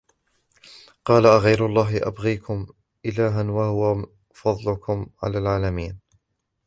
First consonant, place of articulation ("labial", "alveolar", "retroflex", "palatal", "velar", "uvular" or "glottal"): uvular